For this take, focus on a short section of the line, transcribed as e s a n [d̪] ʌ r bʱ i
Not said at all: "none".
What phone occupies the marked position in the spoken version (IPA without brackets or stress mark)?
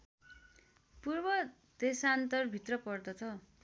t̪